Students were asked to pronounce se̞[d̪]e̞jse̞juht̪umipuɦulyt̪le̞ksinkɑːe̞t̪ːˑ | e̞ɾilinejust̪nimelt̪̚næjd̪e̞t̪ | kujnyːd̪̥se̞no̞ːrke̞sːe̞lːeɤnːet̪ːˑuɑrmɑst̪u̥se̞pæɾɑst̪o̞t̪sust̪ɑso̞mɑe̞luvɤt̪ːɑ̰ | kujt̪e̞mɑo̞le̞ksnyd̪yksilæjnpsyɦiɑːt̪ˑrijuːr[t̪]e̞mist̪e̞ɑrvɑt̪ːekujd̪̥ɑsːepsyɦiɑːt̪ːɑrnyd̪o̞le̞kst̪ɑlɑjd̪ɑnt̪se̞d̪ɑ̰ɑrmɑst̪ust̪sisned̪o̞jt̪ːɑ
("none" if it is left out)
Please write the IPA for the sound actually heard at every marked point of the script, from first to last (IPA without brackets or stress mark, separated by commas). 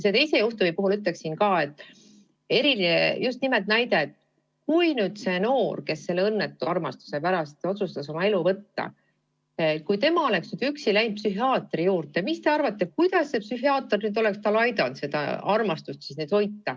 t̪, t̪